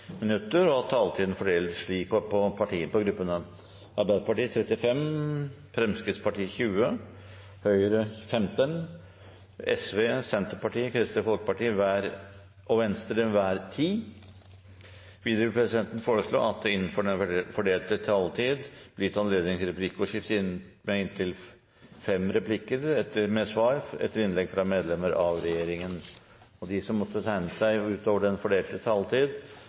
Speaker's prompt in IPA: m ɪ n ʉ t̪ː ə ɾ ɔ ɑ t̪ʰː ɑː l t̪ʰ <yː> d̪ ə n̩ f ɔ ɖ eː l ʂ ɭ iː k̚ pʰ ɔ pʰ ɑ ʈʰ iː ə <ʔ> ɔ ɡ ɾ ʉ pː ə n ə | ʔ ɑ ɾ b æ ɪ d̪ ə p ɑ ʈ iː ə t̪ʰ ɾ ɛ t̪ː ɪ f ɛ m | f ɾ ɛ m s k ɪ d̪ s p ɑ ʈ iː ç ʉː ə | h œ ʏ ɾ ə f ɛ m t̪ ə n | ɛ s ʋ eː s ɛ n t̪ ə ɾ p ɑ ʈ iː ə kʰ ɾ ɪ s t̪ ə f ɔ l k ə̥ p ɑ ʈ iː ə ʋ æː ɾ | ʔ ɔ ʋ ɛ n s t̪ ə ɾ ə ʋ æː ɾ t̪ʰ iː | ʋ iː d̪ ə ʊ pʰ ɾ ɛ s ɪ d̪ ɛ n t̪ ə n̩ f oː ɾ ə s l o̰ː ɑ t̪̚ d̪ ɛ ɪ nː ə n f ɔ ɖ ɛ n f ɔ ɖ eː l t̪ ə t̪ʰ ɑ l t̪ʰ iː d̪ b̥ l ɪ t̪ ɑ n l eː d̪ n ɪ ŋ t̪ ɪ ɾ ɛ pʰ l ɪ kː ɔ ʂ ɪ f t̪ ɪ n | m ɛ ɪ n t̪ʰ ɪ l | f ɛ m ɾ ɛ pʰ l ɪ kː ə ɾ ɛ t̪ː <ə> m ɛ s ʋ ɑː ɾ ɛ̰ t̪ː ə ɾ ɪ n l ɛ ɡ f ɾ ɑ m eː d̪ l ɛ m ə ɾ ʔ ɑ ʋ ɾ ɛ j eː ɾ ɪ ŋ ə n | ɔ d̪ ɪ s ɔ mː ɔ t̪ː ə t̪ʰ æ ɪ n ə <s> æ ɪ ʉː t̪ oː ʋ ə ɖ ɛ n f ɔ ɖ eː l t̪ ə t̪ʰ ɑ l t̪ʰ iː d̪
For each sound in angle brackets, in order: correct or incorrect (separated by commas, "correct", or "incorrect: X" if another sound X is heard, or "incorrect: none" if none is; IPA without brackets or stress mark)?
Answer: incorrect: iː, incorrect: p, correct, correct